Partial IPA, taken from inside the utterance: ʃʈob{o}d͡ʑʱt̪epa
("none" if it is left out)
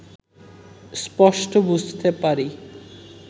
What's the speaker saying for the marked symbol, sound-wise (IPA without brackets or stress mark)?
u